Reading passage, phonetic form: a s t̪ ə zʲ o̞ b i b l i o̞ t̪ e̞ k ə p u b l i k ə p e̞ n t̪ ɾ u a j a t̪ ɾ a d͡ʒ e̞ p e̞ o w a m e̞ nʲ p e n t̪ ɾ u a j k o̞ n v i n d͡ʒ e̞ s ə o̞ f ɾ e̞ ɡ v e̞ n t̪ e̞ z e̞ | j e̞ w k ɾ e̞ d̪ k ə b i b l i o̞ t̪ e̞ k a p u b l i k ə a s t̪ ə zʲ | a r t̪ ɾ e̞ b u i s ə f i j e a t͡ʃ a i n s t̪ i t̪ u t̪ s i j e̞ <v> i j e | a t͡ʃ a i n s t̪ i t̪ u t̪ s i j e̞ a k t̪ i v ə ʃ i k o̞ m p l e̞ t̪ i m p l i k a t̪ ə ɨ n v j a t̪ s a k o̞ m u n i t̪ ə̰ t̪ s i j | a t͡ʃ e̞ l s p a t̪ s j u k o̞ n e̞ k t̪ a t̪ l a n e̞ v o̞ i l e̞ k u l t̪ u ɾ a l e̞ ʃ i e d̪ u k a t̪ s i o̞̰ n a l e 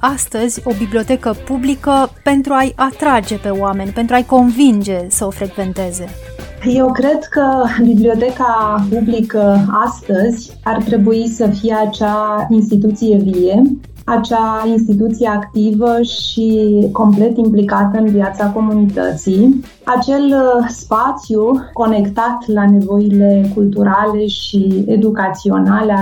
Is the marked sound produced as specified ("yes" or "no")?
yes